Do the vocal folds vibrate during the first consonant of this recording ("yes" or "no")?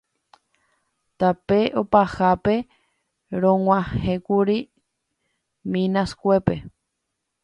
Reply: no